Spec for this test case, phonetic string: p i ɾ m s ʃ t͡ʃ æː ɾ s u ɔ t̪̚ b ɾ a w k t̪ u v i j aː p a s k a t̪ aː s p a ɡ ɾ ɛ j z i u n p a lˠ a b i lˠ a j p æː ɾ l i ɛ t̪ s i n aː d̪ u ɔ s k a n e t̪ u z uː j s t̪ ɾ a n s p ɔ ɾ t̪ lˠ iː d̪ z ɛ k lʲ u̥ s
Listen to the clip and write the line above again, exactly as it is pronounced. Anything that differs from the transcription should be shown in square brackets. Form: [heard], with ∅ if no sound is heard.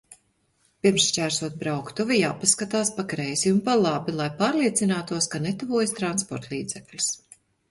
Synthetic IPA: p i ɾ m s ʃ t͡ʃ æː ɾ s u ɔ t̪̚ b ɾ a w k t̪ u v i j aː p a s k a t̪ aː s p a [k] ɾ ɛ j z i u n p a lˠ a b i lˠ a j p [aː] ɾ l i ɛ t̪ s i n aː [t̪] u ɔ s k a n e t̪ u [v] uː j s t̪ ɾ a n s p ɔ ɾ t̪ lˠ iː d̪ z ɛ k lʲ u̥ s